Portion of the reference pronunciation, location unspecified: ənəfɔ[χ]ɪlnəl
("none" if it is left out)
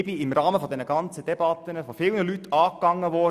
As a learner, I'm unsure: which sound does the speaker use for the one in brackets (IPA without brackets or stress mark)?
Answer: f